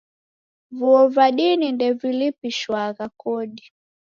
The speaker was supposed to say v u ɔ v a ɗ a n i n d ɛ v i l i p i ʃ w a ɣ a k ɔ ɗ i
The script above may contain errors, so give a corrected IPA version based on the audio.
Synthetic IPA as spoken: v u ɔ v a ɗ i n i n d ɛ v i l i p i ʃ w a ɣ a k ɔ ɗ i